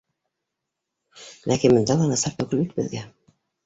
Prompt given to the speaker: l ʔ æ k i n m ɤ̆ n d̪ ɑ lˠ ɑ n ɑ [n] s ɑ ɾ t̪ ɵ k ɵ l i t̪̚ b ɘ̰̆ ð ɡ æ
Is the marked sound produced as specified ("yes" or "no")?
no